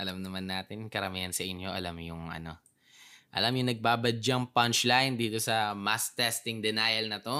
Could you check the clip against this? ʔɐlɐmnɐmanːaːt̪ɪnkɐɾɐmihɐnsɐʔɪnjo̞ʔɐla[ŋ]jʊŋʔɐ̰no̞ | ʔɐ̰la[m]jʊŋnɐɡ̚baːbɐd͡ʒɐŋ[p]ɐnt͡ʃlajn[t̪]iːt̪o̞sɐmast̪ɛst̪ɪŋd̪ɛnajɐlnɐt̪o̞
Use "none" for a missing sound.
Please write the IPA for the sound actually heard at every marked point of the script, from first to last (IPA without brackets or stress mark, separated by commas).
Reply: m, m, p, d̪